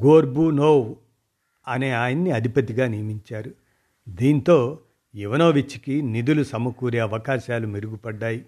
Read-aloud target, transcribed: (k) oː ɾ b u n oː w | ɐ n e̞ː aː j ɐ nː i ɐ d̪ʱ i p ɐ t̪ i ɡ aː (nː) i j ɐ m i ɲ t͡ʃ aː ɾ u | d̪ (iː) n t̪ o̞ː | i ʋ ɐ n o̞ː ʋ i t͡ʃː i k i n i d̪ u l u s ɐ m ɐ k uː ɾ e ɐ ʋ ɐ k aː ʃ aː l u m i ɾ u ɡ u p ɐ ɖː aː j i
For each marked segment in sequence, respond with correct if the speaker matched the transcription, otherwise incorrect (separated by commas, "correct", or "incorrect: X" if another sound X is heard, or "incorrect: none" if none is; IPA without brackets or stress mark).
incorrect: ɡ, incorrect: n, correct